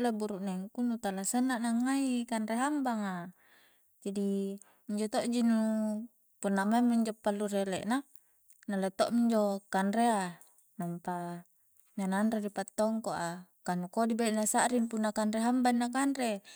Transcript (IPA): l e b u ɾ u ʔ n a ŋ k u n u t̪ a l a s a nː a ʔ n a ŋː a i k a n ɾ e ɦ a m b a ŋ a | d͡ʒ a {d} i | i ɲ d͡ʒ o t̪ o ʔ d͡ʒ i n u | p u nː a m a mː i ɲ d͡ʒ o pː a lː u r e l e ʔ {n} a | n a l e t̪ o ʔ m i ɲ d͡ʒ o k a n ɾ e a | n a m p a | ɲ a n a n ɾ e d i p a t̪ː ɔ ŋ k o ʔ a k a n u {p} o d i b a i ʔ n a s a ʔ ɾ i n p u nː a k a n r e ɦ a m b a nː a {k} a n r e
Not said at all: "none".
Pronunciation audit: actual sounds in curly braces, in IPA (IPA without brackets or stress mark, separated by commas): d, n, k, k